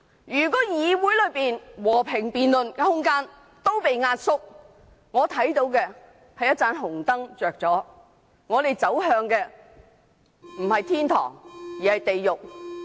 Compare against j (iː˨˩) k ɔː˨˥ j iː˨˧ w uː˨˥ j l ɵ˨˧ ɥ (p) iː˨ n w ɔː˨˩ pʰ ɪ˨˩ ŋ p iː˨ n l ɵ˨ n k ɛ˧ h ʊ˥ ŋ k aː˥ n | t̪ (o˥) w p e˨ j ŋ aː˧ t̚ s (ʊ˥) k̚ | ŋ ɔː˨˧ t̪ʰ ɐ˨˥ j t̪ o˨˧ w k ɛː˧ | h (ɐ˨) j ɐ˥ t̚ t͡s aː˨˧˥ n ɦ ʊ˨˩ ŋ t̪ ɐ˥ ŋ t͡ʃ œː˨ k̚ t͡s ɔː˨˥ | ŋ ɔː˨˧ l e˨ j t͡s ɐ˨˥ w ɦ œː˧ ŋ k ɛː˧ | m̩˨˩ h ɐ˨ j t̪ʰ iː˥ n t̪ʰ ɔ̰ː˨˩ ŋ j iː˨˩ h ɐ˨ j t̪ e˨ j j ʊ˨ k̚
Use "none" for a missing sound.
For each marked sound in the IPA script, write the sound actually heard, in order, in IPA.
yː˨˩, p, o˥, ʊ˥, ɐ˨

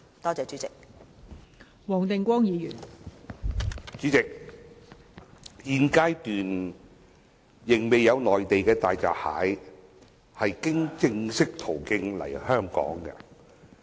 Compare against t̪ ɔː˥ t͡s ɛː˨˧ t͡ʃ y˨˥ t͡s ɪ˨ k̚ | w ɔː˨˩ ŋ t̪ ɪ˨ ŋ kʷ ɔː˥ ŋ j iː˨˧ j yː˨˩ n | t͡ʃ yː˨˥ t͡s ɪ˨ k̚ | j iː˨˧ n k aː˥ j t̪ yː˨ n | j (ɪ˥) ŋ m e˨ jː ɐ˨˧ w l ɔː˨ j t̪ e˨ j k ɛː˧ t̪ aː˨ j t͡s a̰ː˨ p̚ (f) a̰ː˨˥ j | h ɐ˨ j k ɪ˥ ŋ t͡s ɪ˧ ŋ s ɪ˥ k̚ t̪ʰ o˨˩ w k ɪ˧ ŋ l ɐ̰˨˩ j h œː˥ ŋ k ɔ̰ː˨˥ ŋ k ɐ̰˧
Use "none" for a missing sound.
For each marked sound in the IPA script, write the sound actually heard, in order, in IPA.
ɪ˨˩, h

